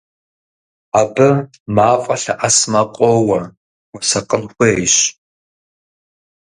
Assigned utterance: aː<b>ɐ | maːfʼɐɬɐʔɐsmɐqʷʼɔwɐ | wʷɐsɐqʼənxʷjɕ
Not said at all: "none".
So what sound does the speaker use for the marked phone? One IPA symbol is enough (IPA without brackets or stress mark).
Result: b